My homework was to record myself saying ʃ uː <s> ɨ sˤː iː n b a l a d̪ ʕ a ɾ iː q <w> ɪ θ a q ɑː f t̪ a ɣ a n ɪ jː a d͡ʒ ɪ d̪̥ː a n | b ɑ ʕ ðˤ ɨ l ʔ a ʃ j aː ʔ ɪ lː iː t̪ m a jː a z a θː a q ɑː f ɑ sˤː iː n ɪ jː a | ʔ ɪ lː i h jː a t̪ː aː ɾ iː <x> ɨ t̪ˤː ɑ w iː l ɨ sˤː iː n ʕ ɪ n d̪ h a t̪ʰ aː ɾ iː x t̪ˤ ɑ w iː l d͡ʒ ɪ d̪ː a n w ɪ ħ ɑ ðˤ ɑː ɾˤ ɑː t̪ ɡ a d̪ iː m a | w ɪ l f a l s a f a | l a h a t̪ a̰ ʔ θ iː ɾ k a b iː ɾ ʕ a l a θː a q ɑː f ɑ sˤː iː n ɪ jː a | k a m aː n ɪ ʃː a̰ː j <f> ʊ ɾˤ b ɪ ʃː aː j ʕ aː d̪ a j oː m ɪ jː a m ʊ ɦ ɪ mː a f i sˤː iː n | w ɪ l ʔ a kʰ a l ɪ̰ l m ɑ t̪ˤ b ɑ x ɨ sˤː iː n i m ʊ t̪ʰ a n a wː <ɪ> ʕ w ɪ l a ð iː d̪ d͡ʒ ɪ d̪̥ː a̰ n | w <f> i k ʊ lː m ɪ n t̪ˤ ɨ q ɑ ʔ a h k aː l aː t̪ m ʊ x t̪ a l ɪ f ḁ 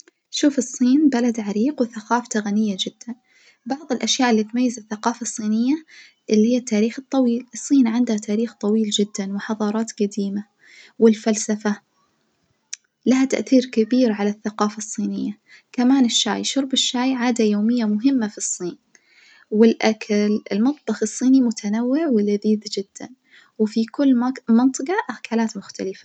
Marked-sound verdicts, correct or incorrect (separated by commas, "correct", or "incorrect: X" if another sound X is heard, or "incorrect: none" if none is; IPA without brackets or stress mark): incorrect: f, correct, correct, incorrect: ʃ, correct, correct